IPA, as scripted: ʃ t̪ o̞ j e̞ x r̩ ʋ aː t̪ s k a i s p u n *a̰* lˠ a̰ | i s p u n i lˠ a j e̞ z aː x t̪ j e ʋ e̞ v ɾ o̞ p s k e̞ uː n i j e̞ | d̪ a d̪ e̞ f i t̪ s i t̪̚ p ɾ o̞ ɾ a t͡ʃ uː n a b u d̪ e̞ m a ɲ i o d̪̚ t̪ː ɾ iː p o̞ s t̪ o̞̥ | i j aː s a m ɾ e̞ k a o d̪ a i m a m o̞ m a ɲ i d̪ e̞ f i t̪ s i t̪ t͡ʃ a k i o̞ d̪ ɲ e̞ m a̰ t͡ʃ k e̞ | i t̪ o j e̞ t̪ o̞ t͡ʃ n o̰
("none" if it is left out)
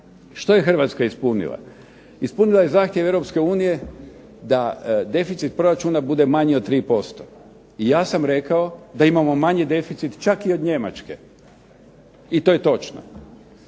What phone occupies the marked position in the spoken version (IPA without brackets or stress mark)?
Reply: ḭ